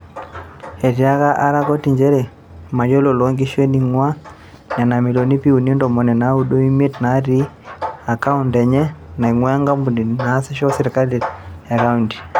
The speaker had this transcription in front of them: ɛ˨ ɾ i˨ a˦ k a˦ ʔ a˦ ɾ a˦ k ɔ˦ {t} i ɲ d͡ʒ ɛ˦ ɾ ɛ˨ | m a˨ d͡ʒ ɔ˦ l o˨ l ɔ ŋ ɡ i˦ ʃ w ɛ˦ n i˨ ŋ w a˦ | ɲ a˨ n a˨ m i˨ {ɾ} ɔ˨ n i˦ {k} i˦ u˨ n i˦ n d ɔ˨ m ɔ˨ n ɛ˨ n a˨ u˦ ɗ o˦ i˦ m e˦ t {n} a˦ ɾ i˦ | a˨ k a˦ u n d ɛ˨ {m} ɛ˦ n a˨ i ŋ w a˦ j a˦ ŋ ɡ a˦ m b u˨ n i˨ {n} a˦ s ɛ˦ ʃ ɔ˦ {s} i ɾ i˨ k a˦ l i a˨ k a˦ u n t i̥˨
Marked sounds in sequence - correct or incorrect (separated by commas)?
correct, incorrect, incorrect, correct, incorrect, correct, correct